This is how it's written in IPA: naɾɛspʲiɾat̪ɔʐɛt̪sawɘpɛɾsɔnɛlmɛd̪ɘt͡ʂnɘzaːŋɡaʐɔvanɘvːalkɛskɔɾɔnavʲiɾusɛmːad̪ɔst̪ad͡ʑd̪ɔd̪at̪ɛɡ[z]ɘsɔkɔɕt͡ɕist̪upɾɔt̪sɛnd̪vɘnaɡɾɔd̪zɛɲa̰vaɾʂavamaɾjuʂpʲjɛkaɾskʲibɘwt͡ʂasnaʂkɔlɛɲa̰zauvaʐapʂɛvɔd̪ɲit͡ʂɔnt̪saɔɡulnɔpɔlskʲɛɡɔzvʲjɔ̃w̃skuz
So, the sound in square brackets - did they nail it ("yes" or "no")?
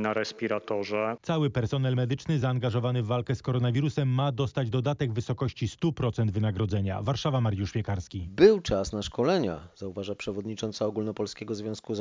no